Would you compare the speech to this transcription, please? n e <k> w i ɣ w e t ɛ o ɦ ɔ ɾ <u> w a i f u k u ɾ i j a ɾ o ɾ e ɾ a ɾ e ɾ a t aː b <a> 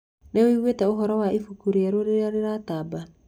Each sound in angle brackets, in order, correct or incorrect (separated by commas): incorrect, incorrect, correct